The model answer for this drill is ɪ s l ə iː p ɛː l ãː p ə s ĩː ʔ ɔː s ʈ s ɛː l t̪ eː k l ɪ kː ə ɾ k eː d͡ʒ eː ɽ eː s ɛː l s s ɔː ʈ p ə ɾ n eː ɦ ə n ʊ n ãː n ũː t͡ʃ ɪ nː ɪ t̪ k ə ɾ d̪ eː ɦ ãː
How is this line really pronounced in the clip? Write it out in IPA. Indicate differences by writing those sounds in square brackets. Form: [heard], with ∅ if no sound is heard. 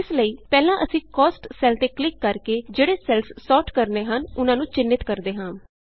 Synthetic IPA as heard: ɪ s l ə iː p ɛː l ãː [ʔ] ə s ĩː [k] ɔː s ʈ s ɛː l t̪ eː k l ɪ kː ə ɾ k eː d͡ʒ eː ɽ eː s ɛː l s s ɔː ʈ [k] ə ɾ n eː ɦ ə n ʊ n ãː n ũː t͡ʃ ɪ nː ɪ t̪ k ə ɾ d̪ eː ɦ ãː